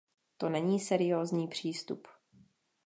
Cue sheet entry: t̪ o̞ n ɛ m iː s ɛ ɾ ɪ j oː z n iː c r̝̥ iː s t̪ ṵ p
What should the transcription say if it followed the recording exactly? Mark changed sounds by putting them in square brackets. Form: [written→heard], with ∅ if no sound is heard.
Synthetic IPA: t̪ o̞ n ɛ [m→ɲ] iː s ɛ ɾ ɪ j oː z [n→ɲ] iː [c→p] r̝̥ iː s t̪ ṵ p